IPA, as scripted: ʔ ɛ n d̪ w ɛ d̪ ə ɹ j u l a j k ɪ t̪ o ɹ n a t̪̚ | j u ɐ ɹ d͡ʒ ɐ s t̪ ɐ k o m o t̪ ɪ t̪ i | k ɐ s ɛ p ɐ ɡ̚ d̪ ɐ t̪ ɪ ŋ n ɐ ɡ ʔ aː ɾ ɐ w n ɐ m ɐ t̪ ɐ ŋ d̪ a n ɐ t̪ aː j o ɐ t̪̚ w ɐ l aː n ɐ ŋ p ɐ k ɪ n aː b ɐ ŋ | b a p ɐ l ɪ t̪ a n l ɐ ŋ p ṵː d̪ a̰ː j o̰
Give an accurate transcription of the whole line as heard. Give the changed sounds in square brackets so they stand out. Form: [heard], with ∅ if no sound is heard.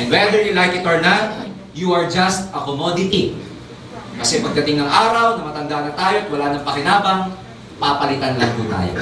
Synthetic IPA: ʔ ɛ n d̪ w ɛ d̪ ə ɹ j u l a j k ɪ t̪ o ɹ n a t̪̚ | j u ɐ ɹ d͡ʒ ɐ s t̪ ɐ k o m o [d̪] ɪ t̪ i | k ɐ s ɛ p ɐ ɡ̚ d̪ ɐ t̪ ɪ ŋ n ɐ [ŋ] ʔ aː ɾ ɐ w n ɐ m ɐ t̪ ɐ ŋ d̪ a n ɐ t̪ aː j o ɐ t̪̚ w ɐ l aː n ɐ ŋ p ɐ k ɪ n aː b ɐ ŋ | [p] a p ɐ l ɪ t̪ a n l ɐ ŋ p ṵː [t̪] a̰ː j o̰

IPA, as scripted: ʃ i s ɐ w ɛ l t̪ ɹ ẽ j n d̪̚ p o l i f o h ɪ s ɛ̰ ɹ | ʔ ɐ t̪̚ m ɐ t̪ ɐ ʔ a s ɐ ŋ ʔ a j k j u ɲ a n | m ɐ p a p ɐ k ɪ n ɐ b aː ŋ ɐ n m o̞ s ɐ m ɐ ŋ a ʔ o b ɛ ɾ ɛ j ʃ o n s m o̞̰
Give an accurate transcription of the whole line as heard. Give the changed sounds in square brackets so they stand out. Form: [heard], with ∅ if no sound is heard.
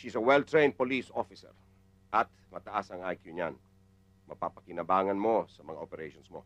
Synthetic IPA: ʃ i s ɐ w ɛ l t̪ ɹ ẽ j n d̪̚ p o l i [s] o [f] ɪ s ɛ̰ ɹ | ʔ ɐ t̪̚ m ɐ t̪ ɐ ʔ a s ɐ ŋ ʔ a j k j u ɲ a n | m ɐ p a p ɐ k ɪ n ɐ b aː ŋ ɐ n m o̞ s ɐ m ɐ ŋ a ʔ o [p] ɛ ɾ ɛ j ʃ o n s m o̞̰

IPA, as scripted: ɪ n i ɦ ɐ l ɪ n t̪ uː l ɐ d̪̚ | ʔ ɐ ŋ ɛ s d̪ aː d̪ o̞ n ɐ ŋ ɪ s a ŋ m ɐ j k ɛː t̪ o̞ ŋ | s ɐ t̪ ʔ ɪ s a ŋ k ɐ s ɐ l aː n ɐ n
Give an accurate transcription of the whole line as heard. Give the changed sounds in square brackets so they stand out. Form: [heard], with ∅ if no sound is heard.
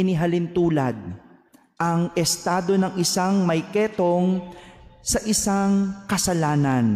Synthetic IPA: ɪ n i ɦ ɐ l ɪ n t̪ uː l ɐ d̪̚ | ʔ ɐ ŋ ɛ s [t̪] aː d̪ o̞ n ɐ ŋ ɪ s a ŋ m ɐ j k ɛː t̪ o̞ ŋ | s ɐ [∅] ʔ ɪ s a ŋ k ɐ s ɐ l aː n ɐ n

